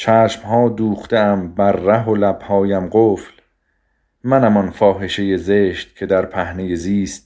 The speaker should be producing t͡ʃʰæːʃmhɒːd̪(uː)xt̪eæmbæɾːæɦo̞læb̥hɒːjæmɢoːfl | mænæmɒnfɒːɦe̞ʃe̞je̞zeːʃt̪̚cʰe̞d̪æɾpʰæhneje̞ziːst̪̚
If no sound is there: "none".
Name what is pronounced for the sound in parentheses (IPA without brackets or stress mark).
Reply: uː